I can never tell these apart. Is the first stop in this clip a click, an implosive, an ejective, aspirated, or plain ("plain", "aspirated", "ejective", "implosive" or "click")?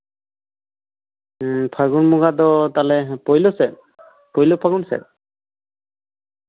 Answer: aspirated